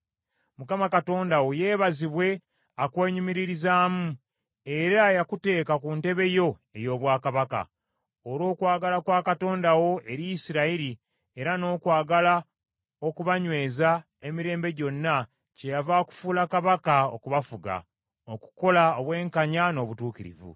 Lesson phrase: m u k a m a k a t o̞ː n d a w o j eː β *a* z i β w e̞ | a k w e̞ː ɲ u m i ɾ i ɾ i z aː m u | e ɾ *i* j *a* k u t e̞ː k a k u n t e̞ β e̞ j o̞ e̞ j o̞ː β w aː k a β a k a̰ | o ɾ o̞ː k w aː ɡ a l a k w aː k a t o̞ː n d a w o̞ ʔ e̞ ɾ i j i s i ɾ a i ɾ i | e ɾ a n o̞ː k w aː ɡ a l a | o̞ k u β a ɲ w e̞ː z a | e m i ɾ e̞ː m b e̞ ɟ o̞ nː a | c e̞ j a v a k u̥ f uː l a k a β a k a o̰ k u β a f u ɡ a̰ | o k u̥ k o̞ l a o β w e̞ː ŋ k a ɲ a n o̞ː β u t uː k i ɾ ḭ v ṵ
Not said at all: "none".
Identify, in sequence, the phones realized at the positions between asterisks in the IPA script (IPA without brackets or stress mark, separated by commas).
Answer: a, a, a